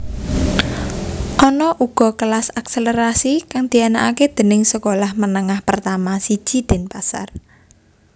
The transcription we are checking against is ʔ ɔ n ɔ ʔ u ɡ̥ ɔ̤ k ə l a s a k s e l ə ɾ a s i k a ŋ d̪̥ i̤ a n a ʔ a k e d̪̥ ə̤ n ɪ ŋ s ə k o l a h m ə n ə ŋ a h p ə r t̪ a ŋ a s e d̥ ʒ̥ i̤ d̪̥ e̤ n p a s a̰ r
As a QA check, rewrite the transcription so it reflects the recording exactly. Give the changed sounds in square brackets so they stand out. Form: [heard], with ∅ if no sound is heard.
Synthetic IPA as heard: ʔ ɔ n ɔ ʔ u ɡ̥ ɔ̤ k ə l a s a k s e l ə ɾ a s i k a ŋ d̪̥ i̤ a n a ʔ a k e d̪̥ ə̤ n ɪ ŋ s ə k o l a h m ə n ə ŋ a h p ə r t̪ a [m] a s [i] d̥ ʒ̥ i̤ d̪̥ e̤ n p a s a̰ r